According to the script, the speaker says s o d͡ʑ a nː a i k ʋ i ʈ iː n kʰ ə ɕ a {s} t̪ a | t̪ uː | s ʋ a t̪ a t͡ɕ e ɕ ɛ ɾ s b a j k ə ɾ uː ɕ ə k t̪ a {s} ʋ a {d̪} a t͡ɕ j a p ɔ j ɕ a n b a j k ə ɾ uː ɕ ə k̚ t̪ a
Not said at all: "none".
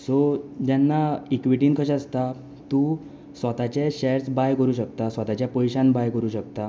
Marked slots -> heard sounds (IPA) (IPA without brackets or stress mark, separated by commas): s, s, t̪